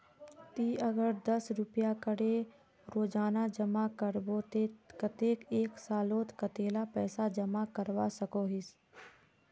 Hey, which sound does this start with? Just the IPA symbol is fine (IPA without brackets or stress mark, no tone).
t̪